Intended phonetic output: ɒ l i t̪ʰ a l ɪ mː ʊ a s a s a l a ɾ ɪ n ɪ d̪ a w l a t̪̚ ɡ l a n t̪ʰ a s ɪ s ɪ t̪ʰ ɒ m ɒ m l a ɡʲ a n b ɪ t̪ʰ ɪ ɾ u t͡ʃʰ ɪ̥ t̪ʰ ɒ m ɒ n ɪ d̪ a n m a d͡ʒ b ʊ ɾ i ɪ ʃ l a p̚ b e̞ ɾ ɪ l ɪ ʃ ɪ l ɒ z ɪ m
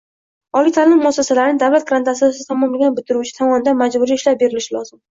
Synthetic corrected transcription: ɒ l i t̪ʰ a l ɪ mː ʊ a s a s a l a ɾ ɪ n ɪ d̪ a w l a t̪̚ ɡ ɾ a n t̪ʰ a s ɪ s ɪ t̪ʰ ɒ m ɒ m l a ɡʲ a n b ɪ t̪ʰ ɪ ɾ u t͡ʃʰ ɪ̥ t̪ʰ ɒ m ɒ n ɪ d̪ a n m a d͡ʒ b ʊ ɾ i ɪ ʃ l a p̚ b e̞ ɾ ɪ l ɪ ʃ ɪ l ɒ z ɪ m